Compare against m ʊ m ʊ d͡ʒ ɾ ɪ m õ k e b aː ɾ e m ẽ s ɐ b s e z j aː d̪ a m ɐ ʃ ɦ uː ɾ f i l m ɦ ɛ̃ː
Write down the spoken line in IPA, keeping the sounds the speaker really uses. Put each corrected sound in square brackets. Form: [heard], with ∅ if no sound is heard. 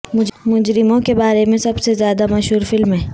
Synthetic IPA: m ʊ m ʊ d͡ʒ ɾ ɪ m õ k e b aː ɾ e m ẽ s ɐ b s e z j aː d̪ a m ɐ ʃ ɦ uː ɾ f [ɪ] l m ɦ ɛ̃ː